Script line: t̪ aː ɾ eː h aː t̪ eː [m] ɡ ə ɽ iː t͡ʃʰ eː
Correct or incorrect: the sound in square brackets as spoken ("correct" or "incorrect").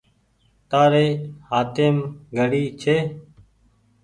correct